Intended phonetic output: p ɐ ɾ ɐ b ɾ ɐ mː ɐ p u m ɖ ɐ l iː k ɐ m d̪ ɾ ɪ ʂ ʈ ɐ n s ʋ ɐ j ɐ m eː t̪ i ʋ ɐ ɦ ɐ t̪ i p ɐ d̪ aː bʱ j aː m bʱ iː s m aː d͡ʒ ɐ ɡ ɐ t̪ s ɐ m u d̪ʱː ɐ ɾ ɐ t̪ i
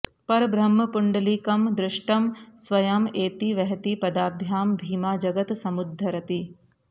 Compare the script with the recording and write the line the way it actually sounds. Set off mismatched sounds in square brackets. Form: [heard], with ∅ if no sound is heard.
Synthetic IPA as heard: p ɐ ɾ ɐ b ɾ ɐ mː ɐ p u [ɳ] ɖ ɐ l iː k ɐ m d̪ ɾ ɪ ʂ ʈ ɐ [m] s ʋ ɐ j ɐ m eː t̪ i ʋ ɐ ɦ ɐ t̪ i p ɐ d̪ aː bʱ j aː m bʱ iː [∅] m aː d͡ʒ ɐ ɡ ɐ t̪ s ɐ m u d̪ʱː ɐ ɾ ɐ t̪ i